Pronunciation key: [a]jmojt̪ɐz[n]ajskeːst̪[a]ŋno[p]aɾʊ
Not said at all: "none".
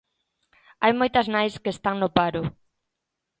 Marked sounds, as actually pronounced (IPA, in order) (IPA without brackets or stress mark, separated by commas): a, n, a, p